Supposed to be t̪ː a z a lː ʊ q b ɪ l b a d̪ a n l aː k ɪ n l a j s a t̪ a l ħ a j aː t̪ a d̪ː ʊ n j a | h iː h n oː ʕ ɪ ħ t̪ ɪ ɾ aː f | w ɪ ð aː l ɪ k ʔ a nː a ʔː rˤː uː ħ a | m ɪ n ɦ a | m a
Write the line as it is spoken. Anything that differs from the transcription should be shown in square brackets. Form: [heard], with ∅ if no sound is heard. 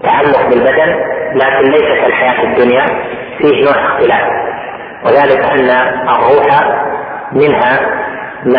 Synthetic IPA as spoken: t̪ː a [ʕ] a lː ʊ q b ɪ l b a d̪ a n l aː k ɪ n l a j s a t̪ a l ħ a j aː t̪ a d̪ː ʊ n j a | [f] iː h n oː ʕ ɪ [x] t̪ ɪ [l] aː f | w ɪ ð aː l ɪ k ʔ a nː a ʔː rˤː uː ħ a | m ɪ n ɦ a | m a